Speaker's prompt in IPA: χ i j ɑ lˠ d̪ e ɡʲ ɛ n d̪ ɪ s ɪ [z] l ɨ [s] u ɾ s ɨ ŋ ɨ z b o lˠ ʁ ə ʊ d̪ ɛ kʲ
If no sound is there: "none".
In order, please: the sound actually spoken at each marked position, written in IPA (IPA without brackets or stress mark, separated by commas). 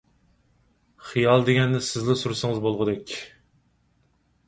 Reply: z, s